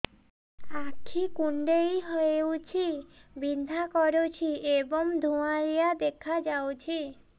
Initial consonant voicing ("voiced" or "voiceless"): voiceless